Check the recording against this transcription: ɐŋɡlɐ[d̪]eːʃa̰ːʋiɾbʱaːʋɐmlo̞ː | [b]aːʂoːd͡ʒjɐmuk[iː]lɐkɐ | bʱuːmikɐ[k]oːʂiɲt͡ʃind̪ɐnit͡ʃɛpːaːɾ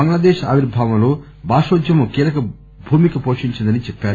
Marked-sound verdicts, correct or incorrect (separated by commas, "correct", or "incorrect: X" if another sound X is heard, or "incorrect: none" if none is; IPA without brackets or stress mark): correct, correct, correct, incorrect: p